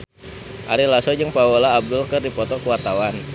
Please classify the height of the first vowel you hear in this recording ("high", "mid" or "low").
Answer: low